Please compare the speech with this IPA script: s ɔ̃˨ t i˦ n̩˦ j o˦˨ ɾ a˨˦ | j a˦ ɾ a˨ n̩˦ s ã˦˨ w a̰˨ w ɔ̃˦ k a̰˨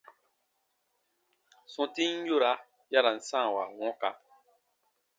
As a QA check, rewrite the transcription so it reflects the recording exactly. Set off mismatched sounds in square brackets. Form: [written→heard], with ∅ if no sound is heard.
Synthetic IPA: s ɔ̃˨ t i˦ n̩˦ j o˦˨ ɾ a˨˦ | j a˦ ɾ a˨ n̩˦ s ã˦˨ w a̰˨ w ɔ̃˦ k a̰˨

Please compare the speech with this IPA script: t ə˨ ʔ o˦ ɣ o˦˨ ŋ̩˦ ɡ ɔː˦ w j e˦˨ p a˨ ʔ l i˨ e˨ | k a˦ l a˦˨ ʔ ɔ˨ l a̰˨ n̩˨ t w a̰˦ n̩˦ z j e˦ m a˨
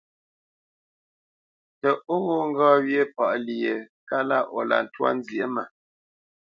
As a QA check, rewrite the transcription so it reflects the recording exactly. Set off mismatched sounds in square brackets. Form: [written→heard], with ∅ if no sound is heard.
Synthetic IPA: t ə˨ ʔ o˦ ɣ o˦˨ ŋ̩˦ ɡ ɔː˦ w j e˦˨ p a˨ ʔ l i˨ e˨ | k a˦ l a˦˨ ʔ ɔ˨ l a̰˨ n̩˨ t w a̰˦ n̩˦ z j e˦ m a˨

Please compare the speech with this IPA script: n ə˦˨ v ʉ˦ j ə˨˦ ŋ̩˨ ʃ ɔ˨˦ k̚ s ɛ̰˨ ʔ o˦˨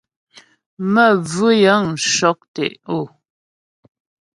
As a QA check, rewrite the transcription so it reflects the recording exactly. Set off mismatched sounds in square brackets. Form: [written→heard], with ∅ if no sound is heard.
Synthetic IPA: [n→m] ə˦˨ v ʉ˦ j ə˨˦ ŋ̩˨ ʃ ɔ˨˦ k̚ [s→t] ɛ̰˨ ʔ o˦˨

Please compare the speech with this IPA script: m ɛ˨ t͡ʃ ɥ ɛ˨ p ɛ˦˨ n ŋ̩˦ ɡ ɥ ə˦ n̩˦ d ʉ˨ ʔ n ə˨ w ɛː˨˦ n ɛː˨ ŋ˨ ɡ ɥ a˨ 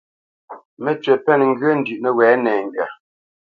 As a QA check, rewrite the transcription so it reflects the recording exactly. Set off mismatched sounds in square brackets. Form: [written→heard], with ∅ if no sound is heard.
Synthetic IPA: m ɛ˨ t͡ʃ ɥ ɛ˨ p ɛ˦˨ n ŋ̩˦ ɡ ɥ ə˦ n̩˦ d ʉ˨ ʔ n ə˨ w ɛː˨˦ n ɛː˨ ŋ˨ ɡ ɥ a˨

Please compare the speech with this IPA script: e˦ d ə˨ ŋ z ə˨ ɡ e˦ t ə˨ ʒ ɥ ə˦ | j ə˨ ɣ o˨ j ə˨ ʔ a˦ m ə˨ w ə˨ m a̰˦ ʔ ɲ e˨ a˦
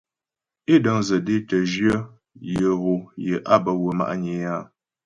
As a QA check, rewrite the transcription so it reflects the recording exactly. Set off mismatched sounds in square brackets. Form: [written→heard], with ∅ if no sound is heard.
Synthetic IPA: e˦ d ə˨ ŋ z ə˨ [ɡ→d] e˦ t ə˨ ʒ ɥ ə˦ | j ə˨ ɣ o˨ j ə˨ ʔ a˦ [m→b] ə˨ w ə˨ m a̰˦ ʔ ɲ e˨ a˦

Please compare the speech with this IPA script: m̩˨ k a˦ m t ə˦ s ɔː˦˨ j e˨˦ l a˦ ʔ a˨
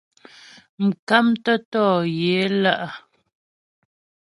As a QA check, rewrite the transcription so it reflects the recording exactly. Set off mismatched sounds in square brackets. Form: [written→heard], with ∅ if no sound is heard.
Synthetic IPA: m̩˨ k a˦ m t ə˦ [s→t] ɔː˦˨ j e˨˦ l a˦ ʔ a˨

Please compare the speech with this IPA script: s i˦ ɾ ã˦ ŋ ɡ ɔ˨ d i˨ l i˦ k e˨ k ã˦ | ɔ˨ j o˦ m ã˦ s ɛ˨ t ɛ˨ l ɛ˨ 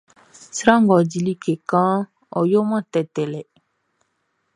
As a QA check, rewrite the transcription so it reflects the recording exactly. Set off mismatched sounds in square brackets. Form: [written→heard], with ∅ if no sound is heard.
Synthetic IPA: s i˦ ɾ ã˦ ŋ ɡ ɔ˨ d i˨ l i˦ k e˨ k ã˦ | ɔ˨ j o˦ m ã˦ [s→t] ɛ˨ t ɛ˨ l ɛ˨

